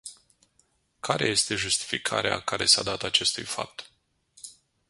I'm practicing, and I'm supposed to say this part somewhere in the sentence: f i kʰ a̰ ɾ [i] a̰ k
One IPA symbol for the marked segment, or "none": e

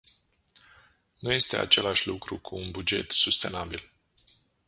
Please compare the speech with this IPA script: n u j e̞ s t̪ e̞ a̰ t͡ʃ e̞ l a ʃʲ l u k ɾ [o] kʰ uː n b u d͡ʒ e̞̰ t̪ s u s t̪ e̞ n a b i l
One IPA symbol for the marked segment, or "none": u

